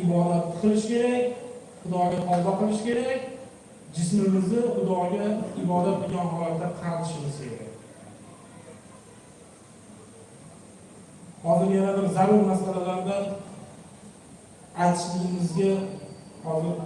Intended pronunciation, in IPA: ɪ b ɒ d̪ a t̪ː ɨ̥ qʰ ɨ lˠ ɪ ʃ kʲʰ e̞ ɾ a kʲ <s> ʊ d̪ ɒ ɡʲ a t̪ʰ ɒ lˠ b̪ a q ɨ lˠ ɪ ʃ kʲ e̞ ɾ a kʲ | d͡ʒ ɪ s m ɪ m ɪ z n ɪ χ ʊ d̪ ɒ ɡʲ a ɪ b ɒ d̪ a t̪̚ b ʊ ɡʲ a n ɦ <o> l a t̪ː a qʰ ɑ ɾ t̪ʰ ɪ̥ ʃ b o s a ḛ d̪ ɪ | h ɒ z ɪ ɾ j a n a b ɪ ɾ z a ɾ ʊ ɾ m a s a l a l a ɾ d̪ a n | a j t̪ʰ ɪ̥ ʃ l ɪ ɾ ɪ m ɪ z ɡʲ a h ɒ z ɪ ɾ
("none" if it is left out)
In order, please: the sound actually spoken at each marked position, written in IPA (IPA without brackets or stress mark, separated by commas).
χ, ɒ